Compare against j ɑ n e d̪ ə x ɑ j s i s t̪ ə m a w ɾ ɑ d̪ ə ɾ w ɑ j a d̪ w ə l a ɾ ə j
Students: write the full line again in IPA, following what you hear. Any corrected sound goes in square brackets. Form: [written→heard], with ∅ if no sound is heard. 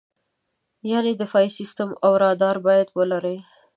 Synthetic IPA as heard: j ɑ n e d̪ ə [x→f] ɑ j s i s t̪ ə m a w ɾ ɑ d̪ [ə→ɑ] ɾ [w→b] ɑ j a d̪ w ə l a ɾ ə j

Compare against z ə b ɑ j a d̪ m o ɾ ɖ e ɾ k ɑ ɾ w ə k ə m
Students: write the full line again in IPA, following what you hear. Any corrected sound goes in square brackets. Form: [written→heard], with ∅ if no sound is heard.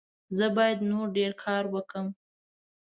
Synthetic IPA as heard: z ə b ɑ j a d̪ [m→n] o ɾ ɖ e ɾ [k→kʰ] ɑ ɾ w ə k ə m

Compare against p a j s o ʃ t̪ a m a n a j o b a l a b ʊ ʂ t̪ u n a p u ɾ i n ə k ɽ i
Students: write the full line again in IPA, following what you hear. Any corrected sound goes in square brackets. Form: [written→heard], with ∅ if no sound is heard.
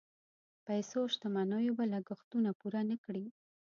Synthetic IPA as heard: p a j s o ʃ t̪ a m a n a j o b a l a [b→ɡ] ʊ [ʂ→x] t̪ u n a p u ɾ [i→a] n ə k ɽ i

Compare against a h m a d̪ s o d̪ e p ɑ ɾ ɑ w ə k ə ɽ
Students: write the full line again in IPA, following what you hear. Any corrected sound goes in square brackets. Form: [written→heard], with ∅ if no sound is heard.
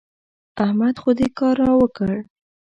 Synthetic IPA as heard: a h m a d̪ [s→x] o d̪ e [p→k] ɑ ɾ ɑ w ə k ə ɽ

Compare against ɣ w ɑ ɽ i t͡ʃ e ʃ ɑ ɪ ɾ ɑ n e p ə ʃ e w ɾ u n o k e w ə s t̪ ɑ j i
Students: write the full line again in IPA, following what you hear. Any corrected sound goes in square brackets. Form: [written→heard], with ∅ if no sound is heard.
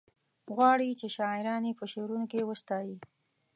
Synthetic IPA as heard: ɣ w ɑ ɽ i t͡ʃ e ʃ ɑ ɪ ɾ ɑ n e p ə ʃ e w ɾ u n o k e w ə s t̪ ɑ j i

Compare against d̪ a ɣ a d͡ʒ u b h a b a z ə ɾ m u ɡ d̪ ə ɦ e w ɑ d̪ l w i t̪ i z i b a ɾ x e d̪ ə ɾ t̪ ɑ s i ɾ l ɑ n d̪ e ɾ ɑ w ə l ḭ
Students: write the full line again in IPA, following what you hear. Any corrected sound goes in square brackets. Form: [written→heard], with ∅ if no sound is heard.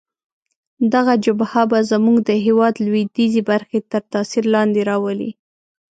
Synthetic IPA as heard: d̪ a ɣ a d͡ʒ [u→ʊ] b h a b a z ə [ɾ→∅] m u ɡ d̪ ə ɦ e w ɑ d̪ l w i [t̪→d̪] i z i b a ɾ x e [d̪→t̪] ə ɾ t̪ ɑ s i ɾ l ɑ n d̪ e ɾ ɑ w ə l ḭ

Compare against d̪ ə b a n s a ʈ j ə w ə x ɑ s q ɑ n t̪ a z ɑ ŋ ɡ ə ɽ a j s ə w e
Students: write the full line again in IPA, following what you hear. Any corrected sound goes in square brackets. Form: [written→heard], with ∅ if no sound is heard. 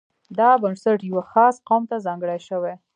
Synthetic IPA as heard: d̪ [ə→ɑ] b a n s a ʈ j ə w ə x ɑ s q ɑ [n→m] t̪ a z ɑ ŋ ɡ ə ɽ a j [s→ʃ] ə w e

